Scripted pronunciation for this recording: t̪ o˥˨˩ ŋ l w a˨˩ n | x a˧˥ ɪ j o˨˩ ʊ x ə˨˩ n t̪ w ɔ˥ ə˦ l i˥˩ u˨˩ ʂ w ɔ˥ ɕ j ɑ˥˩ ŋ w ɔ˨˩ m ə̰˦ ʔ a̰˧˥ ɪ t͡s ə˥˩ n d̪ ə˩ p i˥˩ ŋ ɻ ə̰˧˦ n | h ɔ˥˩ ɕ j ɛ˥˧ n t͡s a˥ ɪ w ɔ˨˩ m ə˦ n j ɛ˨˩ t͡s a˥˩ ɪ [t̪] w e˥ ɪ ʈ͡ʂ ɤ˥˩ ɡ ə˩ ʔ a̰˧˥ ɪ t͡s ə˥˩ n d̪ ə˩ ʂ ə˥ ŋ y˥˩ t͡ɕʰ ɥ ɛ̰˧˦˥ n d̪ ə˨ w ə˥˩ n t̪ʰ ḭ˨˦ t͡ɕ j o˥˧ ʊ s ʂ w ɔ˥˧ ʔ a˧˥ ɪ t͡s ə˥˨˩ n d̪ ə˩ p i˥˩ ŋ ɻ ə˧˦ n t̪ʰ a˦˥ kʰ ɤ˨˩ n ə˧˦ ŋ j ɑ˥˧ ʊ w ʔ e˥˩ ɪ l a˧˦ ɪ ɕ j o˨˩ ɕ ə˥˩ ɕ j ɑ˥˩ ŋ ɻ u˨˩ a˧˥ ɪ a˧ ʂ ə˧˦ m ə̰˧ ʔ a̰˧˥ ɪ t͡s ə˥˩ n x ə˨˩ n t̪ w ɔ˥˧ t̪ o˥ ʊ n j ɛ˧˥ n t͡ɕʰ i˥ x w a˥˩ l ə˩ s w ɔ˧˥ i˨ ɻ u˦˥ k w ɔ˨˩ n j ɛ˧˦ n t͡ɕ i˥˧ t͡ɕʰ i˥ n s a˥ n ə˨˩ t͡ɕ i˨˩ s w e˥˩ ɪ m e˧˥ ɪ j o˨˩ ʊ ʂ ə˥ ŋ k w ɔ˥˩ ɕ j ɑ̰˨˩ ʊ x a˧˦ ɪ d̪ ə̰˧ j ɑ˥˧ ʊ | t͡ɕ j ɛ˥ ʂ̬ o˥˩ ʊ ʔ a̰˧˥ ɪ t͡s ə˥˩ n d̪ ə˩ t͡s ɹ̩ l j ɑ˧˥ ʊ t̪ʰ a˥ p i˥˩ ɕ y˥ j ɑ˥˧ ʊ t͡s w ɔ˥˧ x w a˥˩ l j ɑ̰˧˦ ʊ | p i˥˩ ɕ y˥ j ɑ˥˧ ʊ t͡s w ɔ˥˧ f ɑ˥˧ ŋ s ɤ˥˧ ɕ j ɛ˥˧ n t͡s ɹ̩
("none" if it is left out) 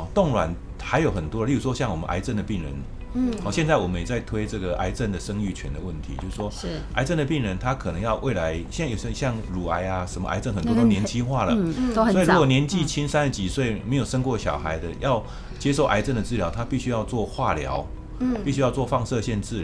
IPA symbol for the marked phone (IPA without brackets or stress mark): t̪ʰ